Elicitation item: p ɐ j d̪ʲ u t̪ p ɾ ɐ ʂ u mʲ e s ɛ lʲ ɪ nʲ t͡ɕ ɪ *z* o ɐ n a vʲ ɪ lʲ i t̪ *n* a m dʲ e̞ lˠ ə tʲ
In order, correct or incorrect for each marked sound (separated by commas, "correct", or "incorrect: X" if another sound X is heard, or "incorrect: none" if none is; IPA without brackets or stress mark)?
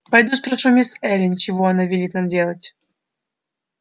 incorrect: v, correct